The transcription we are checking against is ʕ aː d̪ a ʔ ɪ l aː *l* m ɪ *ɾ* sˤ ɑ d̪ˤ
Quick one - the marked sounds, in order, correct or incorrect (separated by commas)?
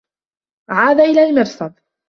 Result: correct, correct